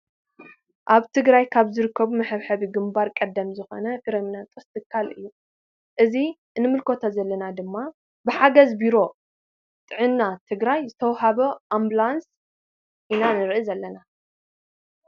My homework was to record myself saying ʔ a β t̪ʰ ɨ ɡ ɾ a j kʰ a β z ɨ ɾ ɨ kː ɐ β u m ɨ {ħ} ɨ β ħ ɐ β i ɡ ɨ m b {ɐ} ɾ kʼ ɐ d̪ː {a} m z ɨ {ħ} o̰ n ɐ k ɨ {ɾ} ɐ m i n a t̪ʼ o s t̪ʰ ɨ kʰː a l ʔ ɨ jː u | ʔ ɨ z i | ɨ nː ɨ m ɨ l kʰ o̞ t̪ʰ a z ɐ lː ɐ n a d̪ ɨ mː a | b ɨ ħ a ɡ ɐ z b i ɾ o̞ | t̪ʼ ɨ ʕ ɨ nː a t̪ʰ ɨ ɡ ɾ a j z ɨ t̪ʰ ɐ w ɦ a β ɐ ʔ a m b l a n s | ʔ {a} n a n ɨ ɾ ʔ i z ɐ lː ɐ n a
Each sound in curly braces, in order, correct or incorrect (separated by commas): correct, incorrect, incorrect, incorrect, correct, incorrect